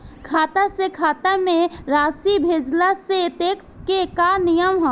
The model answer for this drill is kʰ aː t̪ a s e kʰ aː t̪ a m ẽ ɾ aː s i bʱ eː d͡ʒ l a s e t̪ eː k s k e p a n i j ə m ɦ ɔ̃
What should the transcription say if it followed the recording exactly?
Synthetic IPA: kʰ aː t̪ a s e kʰ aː t̪ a m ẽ ɾ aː s i bʱ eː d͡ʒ l a s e t̪ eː k s k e k a n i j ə m ɦ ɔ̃